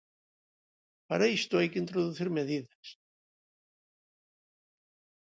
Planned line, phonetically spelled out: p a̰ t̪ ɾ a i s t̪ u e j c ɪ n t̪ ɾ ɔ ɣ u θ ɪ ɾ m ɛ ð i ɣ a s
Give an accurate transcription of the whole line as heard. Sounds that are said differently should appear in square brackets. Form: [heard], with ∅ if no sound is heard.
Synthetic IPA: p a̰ [∅] ɾ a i s t̪ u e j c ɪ n t̪ ɾ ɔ [ð] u θ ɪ ɾ m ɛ ð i [ð] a s

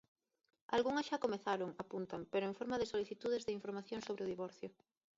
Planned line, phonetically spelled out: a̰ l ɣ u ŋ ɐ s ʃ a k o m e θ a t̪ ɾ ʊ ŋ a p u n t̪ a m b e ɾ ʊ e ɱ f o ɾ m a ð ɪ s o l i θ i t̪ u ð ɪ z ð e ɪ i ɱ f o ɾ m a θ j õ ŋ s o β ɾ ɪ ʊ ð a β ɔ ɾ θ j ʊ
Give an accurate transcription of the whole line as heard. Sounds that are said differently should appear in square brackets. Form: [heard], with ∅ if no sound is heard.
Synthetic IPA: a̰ l ɣ u ŋ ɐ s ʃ a k o m e θ a [∅] ɾ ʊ ŋ a p u n t̪ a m [p] e ɾ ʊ e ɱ f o ɾ m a ð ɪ s o l i θ i t̪ u ð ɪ z ð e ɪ i ɱ f o ɾ m a θ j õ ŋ s o β ɾ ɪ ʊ ð [i] β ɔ ɾ θ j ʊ

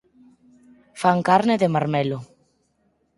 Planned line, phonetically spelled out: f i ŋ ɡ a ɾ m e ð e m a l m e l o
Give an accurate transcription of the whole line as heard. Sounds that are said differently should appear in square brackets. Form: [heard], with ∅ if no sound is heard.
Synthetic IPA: f [a] ŋ [k] a ɾ [n] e ð e m a [ɾ] m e l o

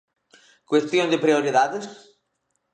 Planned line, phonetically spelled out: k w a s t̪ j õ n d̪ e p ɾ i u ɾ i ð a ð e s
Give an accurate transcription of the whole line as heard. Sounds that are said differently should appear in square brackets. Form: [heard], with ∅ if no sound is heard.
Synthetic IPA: k w [e] s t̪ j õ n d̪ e p ɾ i [o] ɾ i ð a ð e s

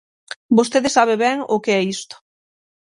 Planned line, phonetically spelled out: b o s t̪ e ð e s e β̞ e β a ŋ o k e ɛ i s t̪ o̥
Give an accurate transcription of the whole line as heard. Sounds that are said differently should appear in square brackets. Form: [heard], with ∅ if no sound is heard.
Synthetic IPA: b o s t̪ e ð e s [a] β̞ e β [ɛ] ŋ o k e ɛ i s t̪ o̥

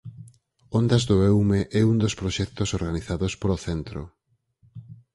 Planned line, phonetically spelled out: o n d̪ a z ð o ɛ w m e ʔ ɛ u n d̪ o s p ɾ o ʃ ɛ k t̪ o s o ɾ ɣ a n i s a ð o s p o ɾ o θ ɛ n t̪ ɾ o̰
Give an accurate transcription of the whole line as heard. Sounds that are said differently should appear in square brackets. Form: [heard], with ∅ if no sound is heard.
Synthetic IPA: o n d̪ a z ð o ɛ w m e ʔ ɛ u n d̪ o s p ɾ o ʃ ɛ k t̪ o s o ɾ ɣ a n i [θ] a ð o s p o ɾ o θ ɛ n t̪ ɾ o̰

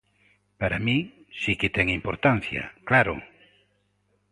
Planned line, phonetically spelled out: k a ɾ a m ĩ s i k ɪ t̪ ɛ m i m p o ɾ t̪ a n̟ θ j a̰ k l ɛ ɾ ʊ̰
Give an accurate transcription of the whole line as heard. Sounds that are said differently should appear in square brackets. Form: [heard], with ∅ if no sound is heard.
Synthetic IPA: [p] a ɾ a m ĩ s i k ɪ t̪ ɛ [ŋ] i m p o ɾ t̪ a n̟ θ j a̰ k l [a] ɾ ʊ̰

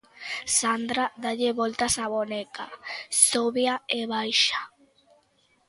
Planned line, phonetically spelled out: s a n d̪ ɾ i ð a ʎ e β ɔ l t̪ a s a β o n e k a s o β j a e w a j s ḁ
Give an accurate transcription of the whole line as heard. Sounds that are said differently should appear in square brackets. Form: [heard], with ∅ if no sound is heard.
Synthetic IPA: s a n d̪ ɾ [a] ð a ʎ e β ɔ l t̪ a s a β o n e k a s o β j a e [β] a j [ʃ] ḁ

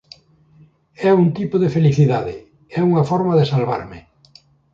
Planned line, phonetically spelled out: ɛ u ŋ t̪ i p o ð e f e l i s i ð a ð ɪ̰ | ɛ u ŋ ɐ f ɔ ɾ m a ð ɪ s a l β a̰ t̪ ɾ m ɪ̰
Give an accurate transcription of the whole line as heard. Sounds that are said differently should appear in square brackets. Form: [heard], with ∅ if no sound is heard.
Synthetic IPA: ɛ u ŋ t̪ i p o ð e f e l i [θ] i ð a ð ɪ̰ | ɛ u ŋ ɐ f ɔ ɾ m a ð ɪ s a l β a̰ [∅] ɾ m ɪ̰

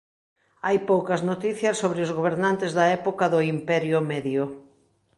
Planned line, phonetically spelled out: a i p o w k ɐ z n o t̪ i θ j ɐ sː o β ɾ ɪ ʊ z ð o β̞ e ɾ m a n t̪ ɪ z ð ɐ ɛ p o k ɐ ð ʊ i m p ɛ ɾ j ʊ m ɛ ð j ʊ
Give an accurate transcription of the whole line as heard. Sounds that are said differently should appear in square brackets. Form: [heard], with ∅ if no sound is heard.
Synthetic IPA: a [j] p o w k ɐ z n o t̪ i θ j ɐ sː o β ɾ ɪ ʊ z [ɣ] o β̞ e ɾ [n] a n t̪ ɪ z ð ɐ ɛ p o k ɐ ð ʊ i m p ɛ ɾ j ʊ m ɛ ð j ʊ

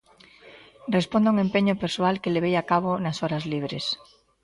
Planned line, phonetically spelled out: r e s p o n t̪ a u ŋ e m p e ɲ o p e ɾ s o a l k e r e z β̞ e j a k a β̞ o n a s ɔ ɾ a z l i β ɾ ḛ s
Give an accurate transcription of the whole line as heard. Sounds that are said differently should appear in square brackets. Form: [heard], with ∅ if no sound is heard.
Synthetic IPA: r e s p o n [d̪] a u ŋ e m p e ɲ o p e ɾ s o a l k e [l] e [∅] β̞ e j a k a β̞ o n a s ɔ ɾ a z l i β ɾ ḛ s

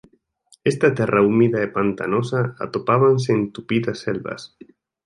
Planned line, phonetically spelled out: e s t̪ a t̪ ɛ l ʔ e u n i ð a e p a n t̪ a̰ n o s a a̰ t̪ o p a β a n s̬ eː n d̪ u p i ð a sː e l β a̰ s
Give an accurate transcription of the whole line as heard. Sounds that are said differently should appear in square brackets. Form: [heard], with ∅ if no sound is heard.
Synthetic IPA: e s t̪ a t̪ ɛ [r] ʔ [a] u [m] i ð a e p a n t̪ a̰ n o s a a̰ t̪ o p a β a n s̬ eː n [t̪] u p i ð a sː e l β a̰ s

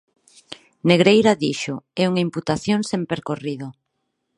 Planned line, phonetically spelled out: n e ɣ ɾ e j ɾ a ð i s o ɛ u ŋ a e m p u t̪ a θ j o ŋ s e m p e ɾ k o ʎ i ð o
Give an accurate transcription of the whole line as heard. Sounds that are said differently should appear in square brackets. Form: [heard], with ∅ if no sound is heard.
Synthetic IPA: n e ɣ ɾ e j ɾ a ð i [ʃ] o ɛ u ŋ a [i] m p u t̪ a θ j o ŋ s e m p e ɾ k o [r] i ð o

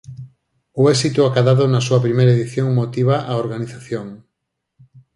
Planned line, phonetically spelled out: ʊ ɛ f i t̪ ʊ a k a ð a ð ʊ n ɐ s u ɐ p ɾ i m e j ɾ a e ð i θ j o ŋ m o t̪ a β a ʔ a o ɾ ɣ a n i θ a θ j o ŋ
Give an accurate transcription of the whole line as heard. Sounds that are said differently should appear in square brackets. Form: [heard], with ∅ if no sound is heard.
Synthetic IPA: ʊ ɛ [s] i t̪ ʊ a k a ð a ð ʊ n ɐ s u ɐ p ɾ i m e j ɾ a e ð i θ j o ŋ m o t̪ [i] β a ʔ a o ɾ ɣ a n i θ a θ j o ŋ

